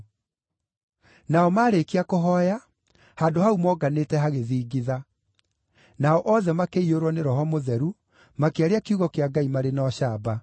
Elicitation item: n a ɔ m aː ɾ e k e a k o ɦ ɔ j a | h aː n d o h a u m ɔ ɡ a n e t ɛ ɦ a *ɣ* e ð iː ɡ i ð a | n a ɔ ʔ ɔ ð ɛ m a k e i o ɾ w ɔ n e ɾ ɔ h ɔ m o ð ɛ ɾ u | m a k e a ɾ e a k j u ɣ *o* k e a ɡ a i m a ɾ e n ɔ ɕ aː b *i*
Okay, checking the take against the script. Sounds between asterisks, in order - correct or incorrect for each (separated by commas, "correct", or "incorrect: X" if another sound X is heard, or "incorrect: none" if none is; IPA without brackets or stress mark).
correct, incorrect: ɔ, incorrect: a